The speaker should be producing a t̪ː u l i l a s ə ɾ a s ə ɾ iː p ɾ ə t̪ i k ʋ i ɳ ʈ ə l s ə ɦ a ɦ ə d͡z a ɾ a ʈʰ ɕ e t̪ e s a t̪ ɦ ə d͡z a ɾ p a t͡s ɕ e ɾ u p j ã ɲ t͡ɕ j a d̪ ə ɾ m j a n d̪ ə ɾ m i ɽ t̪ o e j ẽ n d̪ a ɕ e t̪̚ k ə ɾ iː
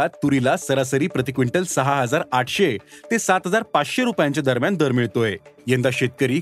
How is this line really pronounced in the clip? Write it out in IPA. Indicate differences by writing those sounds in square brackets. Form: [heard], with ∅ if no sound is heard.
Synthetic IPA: a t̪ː u [ɾ] i l a s ə ɾ a s ə ɾ iː p ɾ ə t̪ i k ʋ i ɳ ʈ ə l s ə ɦ a ɦ ə d͡z a ɾ a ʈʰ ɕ e t̪ e s a t̪ ɦ ə d͡z a ɾ p a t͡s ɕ e ɾ u p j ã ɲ t͡ɕ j a d̪ ə ɾ m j a n d̪ ə ɾ m i [ɭ] t̪ o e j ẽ n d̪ a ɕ e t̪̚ k ə ɾ iː